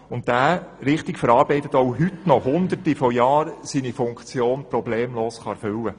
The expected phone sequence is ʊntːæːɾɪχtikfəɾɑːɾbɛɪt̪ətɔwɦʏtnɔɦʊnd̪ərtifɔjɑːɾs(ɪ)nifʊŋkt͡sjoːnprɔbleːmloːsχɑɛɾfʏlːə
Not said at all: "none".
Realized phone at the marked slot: i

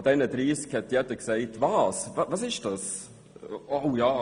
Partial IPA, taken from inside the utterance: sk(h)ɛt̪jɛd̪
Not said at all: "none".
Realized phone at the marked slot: h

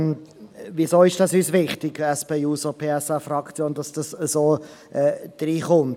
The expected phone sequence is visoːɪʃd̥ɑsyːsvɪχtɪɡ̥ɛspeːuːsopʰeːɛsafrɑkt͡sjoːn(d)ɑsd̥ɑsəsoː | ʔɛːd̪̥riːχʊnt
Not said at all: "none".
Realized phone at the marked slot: d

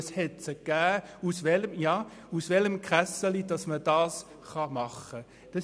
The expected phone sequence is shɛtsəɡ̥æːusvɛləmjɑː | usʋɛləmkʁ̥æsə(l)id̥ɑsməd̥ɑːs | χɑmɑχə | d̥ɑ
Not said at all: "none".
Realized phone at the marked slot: l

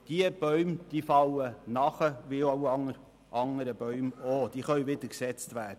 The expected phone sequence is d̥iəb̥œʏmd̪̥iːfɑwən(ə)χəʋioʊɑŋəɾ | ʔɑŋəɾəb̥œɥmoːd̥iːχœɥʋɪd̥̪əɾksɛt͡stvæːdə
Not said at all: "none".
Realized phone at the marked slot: ɑ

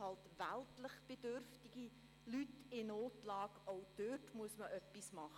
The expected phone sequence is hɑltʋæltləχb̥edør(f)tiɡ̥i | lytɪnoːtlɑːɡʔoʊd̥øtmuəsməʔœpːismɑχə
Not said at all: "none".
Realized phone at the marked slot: f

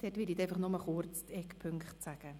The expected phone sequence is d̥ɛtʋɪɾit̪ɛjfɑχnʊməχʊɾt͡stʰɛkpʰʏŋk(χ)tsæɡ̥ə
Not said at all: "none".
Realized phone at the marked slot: χ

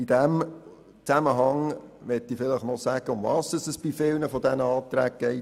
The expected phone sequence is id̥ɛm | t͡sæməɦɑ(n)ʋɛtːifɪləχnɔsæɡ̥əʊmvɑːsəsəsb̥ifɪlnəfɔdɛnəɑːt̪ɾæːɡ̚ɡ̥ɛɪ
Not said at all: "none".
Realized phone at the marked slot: ŋ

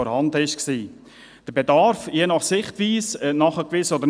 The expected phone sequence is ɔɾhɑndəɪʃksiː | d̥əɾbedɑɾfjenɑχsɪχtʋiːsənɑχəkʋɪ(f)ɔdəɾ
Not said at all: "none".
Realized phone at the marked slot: s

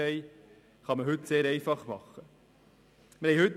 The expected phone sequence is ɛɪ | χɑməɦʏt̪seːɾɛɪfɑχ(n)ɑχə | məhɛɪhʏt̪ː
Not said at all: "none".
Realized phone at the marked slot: m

